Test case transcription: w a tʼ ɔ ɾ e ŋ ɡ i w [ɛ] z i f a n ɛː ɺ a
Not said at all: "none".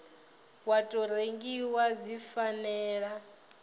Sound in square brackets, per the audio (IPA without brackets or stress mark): a